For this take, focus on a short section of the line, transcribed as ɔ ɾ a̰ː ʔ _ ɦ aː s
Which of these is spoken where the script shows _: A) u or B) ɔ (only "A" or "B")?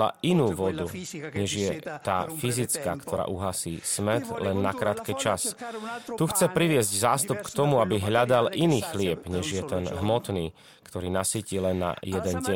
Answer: A